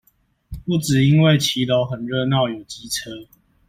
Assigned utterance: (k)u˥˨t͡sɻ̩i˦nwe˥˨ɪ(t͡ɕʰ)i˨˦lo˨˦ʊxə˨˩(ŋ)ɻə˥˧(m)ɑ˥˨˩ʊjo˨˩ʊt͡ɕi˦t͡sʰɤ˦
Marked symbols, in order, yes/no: no, yes, no, no

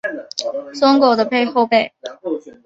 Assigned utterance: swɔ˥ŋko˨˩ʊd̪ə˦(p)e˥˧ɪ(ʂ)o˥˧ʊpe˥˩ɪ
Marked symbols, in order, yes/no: yes, no

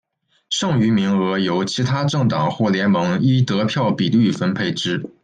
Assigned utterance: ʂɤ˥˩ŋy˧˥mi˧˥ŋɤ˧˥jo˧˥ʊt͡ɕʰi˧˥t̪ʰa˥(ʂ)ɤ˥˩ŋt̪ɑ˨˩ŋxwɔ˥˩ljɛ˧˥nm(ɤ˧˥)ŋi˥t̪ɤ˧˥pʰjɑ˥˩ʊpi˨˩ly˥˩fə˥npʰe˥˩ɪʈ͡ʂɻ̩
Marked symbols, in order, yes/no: no, yes

